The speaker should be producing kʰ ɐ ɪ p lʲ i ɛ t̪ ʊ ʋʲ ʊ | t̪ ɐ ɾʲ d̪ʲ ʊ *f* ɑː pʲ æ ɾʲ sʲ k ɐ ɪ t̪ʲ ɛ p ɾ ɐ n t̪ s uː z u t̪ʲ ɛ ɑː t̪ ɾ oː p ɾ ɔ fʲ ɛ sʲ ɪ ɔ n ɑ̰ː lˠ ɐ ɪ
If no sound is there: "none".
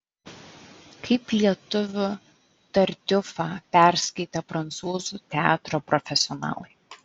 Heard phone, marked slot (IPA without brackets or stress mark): f